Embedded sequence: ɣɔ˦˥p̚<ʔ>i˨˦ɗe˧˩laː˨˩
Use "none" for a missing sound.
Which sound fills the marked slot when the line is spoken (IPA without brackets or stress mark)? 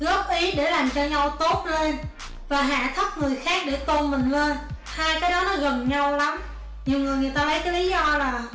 ʔ